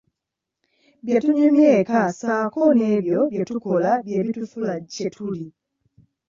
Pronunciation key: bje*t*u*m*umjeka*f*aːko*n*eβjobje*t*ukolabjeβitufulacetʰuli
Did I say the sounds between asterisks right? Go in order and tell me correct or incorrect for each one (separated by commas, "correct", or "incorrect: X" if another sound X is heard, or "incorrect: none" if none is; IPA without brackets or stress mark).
correct, incorrect: ɲ, incorrect: s, correct, correct